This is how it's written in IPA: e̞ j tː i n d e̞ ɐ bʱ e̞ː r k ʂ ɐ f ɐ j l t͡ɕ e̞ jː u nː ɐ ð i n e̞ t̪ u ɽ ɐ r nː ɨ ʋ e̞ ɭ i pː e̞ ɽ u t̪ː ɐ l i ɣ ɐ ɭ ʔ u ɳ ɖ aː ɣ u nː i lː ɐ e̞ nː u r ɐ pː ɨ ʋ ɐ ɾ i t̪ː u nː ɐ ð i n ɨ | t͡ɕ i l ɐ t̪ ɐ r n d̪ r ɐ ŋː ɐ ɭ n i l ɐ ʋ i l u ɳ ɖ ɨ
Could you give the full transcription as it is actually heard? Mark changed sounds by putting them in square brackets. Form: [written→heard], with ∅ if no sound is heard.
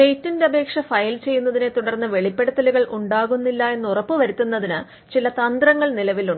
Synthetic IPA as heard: e̞ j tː i n d e̞ ɐ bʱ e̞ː [r→∅] k ʂ ɐ f ɐ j l t͡ɕ e̞ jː u nː ɐ ð i n e̞ t̪ u ɽ ɐ r nː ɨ ʋ e̞ ɭ i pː e̞ ɽ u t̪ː ɐ l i ɣ ɐ ɭ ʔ u ɳ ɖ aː ɣ u nː i lː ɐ e̞ nː u r ɐ pː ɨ ʋ ɐ ɾ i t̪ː u nː ɐ ð i n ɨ | t͡ɕ i l ɐ t̪ ɐ [r→∅] n d̪ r ɐ ŋː ɐ ɭ n i l ɐ ʋ i l u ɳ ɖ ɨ